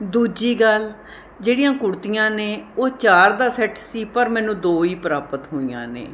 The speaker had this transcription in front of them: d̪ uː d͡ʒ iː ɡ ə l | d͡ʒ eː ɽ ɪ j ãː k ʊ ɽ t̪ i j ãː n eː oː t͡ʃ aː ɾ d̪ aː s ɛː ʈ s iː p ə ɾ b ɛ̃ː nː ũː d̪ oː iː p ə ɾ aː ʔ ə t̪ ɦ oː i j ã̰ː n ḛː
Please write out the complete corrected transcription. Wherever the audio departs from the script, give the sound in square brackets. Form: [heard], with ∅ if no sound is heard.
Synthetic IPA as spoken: d̪ uː d͡ʒ iː ɡ ə l | d͡ʒ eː ɽ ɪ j ãː k ʊ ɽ t̪ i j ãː n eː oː t͡ʃ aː ɾ d̪ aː s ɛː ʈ s iː p ə ɾ [m] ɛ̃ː [n] ũː d̪ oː iː p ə ɾ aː [p] ə t̪ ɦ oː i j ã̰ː n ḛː